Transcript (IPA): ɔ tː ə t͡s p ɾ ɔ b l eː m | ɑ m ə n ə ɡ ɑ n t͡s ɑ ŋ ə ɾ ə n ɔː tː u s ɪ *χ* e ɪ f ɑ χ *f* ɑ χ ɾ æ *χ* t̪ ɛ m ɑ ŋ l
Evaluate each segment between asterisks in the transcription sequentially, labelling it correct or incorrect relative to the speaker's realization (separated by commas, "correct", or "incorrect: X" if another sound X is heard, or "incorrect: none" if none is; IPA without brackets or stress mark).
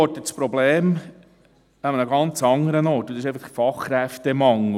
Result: incorrect: ʃ, correct, incorrect: f